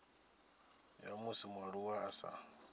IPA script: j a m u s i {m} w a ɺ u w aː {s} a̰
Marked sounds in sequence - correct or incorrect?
correct, correct

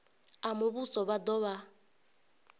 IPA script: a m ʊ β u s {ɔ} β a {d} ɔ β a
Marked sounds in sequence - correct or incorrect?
correct, correct

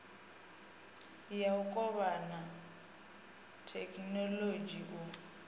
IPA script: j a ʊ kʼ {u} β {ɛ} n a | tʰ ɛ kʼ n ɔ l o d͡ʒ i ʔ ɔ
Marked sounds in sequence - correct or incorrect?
incorrect, incorrect

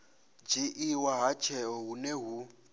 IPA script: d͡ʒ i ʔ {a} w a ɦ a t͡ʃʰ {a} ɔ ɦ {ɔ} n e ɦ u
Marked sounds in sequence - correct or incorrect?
incorrect, incorrect, incorrect

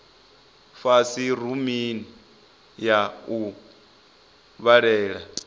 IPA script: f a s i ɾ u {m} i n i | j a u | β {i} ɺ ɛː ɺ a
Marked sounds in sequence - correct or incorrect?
correct, incorrect

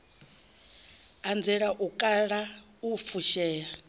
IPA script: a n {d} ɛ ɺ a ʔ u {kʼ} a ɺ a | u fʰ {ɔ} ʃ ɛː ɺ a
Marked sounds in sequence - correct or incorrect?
incorrect, correct, incorrect

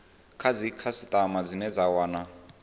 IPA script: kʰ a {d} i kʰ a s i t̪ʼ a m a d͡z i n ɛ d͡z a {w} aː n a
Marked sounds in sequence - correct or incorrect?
incorrect, correct

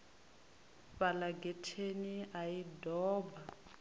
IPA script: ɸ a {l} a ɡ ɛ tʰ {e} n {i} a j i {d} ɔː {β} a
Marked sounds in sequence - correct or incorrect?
correct, correct, correct, correct, incorrect

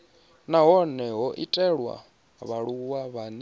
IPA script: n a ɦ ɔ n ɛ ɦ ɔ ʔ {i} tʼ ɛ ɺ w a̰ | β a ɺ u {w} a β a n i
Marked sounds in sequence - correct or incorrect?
correct, correct

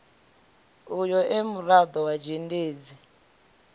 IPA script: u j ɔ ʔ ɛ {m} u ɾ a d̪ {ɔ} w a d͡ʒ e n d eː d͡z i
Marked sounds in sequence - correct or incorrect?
correct, correct

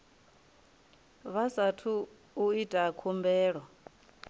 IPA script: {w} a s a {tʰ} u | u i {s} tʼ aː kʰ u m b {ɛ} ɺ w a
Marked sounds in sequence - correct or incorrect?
incorrect, correct, incorrect, incorrect

